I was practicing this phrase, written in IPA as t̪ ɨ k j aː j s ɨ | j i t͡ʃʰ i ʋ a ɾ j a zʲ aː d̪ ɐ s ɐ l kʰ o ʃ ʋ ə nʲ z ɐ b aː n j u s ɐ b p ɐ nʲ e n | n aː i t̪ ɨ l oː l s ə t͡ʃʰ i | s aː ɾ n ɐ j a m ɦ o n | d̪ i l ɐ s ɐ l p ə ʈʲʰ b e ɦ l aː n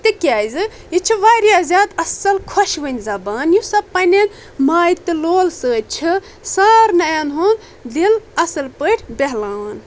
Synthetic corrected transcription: t̪ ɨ k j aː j z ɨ | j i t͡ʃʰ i ʋ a ɾ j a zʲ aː d̪ ɐ s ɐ l kʰ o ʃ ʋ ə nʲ z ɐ b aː n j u s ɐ b p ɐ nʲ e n | m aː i t̪ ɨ l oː l s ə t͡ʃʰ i | s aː ɾ n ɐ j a n ɦ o n | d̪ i l ɐ s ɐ l p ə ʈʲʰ b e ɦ l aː n